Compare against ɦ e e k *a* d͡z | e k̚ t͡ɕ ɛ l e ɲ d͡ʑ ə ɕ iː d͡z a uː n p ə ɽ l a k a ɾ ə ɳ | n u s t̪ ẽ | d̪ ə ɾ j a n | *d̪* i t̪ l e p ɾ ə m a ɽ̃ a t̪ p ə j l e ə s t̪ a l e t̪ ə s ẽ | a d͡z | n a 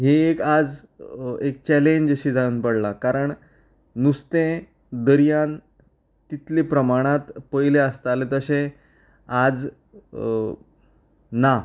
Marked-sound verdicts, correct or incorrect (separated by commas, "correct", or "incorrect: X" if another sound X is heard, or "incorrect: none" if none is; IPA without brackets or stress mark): correct, incorrect: t̪